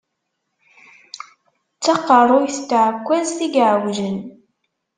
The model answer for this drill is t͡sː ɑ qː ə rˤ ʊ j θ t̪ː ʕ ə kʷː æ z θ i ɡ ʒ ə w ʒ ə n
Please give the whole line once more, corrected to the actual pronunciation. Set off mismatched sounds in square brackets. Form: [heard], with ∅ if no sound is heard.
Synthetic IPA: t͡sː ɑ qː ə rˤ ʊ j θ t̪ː ʕ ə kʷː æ z θ i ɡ [ʕ] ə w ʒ ə n